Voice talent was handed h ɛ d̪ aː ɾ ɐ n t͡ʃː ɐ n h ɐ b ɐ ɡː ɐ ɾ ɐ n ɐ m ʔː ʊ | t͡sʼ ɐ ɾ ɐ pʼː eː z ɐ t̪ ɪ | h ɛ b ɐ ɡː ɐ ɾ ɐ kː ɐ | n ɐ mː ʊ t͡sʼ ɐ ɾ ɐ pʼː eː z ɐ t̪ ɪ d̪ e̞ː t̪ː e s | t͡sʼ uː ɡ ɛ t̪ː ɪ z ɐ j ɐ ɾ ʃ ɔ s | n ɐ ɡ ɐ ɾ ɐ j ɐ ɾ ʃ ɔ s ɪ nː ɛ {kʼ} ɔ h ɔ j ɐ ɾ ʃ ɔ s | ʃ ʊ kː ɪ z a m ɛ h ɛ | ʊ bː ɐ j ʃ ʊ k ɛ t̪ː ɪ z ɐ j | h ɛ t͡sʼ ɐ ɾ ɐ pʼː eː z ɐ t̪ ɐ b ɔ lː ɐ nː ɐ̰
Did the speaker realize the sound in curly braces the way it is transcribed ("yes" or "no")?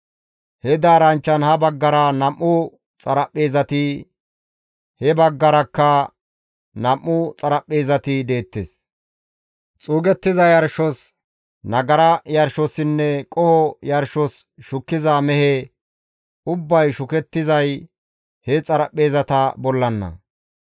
yes